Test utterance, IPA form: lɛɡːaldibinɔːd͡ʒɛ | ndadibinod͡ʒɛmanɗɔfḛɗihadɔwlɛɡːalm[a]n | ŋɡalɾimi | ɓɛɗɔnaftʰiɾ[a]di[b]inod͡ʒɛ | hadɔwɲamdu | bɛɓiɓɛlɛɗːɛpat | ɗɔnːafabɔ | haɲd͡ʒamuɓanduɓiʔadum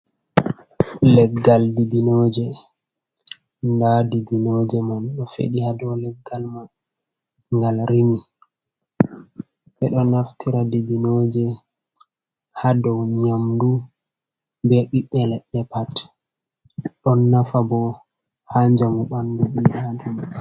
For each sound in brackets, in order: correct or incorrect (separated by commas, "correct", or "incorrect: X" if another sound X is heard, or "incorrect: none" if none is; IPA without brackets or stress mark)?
correct, correct, correct